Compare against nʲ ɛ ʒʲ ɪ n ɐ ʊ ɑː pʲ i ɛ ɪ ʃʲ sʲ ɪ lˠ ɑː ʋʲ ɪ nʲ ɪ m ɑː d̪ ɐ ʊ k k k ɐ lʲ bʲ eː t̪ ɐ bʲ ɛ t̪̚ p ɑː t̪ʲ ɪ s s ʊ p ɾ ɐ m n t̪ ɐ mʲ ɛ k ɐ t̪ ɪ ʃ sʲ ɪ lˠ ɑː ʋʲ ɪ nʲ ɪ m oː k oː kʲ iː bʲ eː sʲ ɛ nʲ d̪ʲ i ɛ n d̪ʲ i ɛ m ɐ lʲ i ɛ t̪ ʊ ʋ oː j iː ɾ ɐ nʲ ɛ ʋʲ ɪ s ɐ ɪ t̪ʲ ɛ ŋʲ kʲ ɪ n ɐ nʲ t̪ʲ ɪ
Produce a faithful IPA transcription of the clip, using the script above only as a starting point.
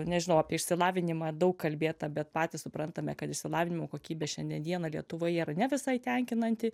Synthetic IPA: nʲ ɛ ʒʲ ɪ n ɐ ʊ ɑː pʲ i ɛ ɪ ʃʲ sʲ ɪ lˠ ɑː ʋʲ ɪ nʲ ɪ m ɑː d̪ ɐ ʊ k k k ɐ lʲ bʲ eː t̪ ɐ bʲ ɛ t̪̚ p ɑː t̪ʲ ɪ s s ʊ p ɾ ɐ n t̪ ɐ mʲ ɛ k ɐ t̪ ɪ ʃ sʲ ɪ lˠ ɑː ʋʲ ɪ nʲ ɪ m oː k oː kʲ iː bʲ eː ʃʲ ɛ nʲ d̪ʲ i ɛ n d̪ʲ i ɛ n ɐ lʲ i ɛ t̪ ʊ ʋ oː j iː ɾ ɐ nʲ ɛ ʋʲ ɪ s ɐ ɪ t̪ʲ ɛ ŋʲ kʲ ɪ n ɐ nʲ t̪ʲ ɪ